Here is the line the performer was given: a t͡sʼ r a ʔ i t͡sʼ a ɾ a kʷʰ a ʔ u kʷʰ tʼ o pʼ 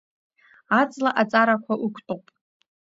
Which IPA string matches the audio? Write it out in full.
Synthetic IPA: a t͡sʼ l a ʔ a t͡sʼ a ɾ a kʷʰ a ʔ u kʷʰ tʼ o pʼ